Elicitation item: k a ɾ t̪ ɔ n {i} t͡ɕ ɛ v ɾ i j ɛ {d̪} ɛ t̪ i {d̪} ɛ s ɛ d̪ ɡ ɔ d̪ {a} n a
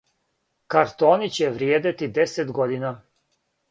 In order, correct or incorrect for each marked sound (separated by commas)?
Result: correct, correct, correct, incorrect